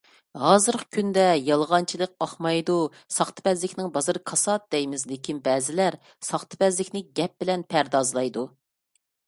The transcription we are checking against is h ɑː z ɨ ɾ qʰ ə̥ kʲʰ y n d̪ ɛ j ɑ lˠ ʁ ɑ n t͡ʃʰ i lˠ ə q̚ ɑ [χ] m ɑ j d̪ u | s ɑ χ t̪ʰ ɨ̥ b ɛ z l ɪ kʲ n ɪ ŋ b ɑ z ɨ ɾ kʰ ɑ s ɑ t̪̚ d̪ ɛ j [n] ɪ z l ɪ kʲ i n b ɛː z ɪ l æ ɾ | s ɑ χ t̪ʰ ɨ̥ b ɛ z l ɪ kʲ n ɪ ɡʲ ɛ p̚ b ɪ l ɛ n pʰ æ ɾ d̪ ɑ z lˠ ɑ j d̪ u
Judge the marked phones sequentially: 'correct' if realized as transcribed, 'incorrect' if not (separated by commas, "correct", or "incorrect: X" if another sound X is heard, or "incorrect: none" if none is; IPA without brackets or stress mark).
correct, incorrect: m